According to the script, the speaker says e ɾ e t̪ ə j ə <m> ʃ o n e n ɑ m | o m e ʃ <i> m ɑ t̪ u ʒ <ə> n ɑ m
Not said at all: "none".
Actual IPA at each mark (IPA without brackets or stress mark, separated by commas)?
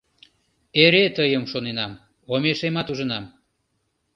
m, e, ə